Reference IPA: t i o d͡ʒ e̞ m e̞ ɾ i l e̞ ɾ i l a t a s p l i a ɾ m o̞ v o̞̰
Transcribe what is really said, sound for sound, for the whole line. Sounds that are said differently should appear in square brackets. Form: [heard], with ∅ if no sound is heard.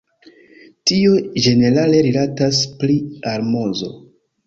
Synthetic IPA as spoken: t i o d͡ʒ e̞ [n] e̞ ɾ [a] l e̞ ɾ i l a t a s p l i a ɾ m o̞ [z] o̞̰